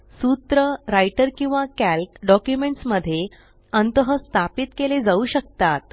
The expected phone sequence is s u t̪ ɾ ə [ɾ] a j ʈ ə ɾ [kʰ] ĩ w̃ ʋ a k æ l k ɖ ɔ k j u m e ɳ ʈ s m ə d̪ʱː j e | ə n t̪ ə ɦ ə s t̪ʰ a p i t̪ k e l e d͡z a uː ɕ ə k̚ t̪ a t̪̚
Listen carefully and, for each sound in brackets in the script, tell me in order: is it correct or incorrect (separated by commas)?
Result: correct, incorrect